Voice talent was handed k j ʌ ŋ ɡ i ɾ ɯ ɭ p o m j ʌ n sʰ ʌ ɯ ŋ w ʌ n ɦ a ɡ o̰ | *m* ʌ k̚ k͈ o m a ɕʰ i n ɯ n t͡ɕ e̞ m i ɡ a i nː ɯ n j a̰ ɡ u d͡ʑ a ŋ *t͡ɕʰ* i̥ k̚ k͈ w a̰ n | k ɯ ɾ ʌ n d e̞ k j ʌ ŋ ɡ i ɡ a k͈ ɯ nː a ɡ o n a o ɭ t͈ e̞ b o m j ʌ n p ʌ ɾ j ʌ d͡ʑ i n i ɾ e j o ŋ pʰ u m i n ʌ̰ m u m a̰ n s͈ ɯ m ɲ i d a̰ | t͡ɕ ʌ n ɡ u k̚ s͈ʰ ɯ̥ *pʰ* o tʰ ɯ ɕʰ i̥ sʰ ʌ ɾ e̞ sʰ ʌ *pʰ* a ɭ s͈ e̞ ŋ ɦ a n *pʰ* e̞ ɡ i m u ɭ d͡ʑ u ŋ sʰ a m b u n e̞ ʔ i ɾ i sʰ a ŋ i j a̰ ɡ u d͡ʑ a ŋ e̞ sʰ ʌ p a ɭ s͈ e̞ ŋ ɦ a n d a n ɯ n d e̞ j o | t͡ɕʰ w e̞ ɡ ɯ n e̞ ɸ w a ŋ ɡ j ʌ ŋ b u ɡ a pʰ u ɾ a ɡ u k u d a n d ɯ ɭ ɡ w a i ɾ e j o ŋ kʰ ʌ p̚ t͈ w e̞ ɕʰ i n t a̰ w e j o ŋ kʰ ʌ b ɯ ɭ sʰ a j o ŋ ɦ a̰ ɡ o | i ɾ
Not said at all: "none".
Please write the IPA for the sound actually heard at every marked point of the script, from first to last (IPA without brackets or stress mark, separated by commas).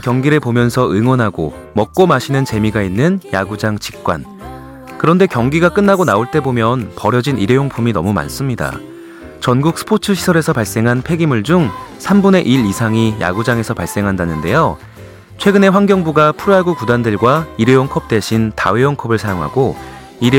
m, t͡ɕ, pʰ, p, pʰ